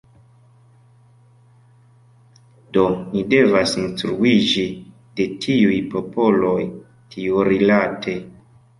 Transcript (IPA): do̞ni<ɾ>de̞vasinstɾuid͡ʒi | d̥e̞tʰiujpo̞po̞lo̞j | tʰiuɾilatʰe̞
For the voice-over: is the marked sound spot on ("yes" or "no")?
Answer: no